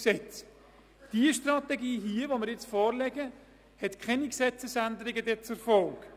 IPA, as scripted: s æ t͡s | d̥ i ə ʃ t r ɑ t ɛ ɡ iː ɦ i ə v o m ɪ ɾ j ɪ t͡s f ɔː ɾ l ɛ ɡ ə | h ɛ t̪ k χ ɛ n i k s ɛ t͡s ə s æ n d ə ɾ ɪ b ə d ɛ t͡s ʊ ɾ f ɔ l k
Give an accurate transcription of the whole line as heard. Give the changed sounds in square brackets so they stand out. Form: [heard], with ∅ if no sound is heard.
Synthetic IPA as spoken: s [ɛ] t͡s | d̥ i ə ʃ t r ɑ t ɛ ɡ iː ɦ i ə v o m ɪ ɾ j ɪ t͡s f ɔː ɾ l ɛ ɡ ə | h ɛ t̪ k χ ɛ n i k s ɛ t͡s ə s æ n d ə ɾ ɪ [ɡ] ə d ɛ t͡s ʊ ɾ f ɔ l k